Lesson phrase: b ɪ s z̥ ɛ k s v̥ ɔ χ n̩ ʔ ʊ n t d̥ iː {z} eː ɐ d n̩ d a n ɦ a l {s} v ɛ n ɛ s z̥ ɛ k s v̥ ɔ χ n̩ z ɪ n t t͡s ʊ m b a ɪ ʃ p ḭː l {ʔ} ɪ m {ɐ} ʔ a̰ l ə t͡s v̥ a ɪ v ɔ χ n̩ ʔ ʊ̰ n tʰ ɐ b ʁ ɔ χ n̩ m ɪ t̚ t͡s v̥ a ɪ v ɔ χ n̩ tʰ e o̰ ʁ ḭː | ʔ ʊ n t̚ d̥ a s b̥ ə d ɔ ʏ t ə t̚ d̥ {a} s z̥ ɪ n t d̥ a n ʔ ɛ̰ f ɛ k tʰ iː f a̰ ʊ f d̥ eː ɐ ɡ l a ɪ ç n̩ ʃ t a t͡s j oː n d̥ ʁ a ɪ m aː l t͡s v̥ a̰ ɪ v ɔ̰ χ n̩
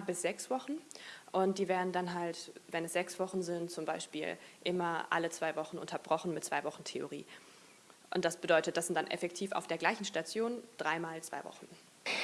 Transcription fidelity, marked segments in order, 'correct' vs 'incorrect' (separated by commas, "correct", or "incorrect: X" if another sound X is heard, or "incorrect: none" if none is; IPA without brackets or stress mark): incorrect: v, incorrect: t, correct, correct, correct